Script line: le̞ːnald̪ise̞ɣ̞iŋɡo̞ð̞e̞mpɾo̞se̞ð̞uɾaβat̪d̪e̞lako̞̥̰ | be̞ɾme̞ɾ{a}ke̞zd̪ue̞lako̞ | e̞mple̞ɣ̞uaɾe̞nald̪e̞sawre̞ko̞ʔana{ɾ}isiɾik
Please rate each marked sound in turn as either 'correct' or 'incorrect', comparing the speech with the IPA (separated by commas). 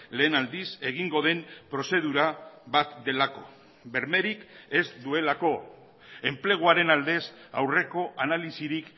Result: incorrect, incorrect